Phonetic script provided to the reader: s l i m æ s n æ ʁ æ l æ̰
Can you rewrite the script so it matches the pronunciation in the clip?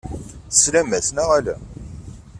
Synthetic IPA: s l æ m æ s n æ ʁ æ l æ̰